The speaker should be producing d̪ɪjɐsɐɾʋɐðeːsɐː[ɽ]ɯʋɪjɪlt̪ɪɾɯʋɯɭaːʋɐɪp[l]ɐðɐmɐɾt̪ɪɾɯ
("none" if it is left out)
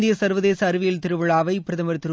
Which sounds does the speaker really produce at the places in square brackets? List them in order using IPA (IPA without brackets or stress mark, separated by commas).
ɾ, ɾ